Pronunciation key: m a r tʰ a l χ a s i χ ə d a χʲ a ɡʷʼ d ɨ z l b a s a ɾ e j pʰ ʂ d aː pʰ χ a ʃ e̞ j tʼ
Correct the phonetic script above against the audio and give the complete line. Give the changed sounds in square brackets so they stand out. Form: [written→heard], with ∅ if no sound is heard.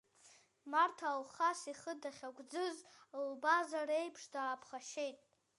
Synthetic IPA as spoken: m a r tʰ a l χ a s i χ ə d a χʲ a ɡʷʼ [d→d͡z] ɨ z l b a [s→z] a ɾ e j pʰ ʂ d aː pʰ χ a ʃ e̞ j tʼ